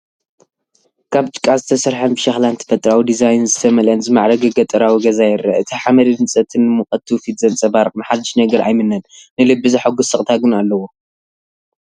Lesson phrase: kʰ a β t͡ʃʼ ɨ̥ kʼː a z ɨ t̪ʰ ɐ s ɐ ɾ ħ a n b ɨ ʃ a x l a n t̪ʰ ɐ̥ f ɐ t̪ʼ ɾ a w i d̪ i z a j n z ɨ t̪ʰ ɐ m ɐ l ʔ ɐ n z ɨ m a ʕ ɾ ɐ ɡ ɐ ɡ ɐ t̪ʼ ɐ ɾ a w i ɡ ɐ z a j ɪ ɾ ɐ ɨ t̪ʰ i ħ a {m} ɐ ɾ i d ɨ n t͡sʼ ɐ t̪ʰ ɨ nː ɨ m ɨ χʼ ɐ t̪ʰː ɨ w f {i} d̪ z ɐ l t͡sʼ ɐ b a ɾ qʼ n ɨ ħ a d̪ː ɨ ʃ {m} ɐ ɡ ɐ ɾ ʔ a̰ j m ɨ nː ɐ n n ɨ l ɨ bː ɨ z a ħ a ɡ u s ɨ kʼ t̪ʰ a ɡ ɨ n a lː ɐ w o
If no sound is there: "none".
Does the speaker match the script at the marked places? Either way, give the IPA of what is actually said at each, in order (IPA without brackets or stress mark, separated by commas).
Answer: m, i, n